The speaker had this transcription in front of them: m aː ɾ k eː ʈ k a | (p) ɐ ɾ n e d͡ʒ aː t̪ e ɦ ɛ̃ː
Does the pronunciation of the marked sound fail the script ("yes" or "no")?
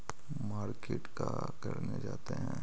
yes